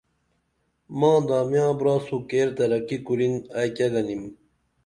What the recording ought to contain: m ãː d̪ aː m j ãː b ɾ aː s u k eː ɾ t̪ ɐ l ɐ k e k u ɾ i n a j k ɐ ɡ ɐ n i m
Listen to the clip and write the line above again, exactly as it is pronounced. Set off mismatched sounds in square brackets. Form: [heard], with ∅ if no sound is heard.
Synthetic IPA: m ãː d̪ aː m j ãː b ɾ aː s u k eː ɾ t̪ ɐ [ɾ] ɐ k [i] k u ɾ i n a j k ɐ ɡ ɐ n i m